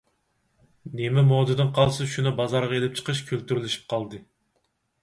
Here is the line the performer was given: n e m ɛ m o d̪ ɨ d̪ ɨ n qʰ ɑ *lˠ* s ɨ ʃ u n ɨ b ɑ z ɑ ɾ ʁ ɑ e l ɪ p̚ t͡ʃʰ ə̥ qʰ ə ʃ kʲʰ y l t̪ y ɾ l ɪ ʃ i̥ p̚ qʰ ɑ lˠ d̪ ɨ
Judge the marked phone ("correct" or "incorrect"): correct